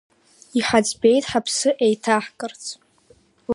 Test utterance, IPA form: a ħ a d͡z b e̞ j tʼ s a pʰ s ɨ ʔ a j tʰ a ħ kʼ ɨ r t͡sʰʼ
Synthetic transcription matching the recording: i ħ a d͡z b e̞ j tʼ ħ a pʰ s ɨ ʔ e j tʰ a ħ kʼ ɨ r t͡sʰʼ